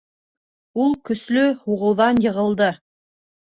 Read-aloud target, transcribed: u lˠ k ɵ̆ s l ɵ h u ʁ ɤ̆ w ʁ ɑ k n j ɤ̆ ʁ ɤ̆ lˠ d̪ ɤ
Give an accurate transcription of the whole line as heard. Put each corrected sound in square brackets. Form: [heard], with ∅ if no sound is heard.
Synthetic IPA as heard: u lˠ k ɵ̆ s l ɵ h u ʁ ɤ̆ w [ð] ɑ [∅] n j ɤ̆ ʁ ɤ̆ lˠ d̪ ɤ

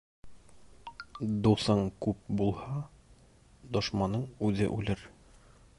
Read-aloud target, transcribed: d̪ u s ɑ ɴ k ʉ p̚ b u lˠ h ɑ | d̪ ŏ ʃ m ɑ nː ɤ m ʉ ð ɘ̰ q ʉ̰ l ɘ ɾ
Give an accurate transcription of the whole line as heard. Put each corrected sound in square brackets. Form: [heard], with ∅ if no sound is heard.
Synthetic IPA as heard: d̪ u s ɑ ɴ k ʉ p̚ b u lˠ h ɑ | d̪ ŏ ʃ m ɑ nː ɤ [ɴ] ʉ ð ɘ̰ [ʔ] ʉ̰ l ɘ ɾ

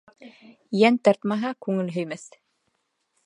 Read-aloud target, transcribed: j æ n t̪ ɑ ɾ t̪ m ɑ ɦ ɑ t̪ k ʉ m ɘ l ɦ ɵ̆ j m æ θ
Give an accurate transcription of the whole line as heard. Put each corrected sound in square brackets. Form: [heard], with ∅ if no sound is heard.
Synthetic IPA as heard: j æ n t̪ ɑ ɾ t̪ m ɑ ɦ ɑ [∅] k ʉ [ŋ] ɘ l ɦ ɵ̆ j m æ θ

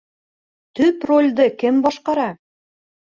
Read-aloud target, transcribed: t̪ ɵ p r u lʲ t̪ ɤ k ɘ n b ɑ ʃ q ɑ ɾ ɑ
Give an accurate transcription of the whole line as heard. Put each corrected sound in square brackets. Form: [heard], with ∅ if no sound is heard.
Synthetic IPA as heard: t̪ ɵ p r [o] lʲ [d̪] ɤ k ɘ [m] b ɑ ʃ q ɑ ɾ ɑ

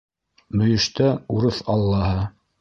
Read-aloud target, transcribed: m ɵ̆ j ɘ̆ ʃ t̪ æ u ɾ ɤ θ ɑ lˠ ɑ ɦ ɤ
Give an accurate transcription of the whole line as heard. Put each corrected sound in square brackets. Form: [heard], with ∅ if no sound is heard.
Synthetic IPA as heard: m ɵ̆ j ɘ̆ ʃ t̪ æ u ɾ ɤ θ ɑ [lˠː] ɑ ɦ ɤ

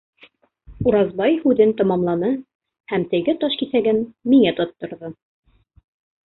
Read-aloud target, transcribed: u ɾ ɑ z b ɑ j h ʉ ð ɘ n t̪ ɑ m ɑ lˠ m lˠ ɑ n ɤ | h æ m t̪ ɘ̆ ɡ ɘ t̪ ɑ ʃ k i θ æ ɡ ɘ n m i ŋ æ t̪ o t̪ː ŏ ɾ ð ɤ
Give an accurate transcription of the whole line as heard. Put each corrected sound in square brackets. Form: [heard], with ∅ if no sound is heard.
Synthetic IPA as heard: u ɾ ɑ z b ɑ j h ʉ ð ɘ n t̪ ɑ m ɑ [∅] m lˠ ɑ n ɤ | h æ m t̪ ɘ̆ ɡ ɘ t̪ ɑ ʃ k i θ æ ɡ ɘ n m i ŋ æ t̪ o t̪ː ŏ ɾ ð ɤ

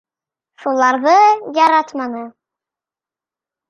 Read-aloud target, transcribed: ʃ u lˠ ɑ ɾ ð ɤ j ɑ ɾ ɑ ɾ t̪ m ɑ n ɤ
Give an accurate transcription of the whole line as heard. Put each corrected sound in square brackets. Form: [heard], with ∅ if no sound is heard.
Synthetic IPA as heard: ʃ u lˠ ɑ ɾ ð ɤ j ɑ ɾ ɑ [∅] t̪ m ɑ n ɤ

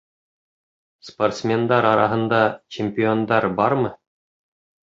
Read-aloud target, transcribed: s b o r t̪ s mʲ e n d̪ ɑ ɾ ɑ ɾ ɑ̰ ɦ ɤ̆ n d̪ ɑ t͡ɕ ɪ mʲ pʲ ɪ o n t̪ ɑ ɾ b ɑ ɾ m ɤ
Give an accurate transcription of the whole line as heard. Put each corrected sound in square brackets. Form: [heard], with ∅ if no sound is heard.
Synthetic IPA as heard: s [p] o r t̪ s mʲ e n d̪ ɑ ɾ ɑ ɾ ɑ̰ ɦ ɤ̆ n d̪ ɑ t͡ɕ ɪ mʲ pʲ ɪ o n [d̪] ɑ ɾ b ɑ ɾ m ɤ

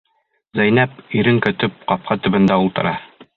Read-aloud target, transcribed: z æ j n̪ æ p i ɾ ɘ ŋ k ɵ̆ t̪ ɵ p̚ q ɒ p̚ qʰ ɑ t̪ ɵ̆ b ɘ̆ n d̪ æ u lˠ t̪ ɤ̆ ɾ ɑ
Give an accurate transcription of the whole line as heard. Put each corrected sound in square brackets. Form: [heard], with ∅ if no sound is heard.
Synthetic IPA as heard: z æ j n̪ æ p i ɾ ɘ ŋ k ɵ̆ t̪ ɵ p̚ q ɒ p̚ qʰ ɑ t̪ ɵ̆ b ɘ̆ n d̪ æ u lˠ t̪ ɤ̆ ɾ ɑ

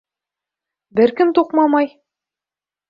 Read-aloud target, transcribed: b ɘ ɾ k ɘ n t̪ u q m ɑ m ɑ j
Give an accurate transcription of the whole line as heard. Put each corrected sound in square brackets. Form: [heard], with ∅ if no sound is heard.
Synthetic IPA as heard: b ɘ ɾ k ɘ [m] t̪ u q m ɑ m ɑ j

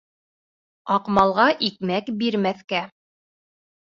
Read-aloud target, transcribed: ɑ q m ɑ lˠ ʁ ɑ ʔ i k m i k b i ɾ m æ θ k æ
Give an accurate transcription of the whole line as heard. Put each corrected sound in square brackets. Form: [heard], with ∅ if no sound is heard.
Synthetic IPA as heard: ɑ q m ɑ lˠ ʁ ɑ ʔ i k m [æ] k b i ɾ m æ θ k æ

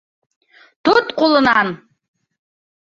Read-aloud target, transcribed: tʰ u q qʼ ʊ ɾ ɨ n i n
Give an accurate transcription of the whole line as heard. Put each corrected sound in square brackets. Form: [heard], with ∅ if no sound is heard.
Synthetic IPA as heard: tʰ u [t] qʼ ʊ [l] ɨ n [a] n

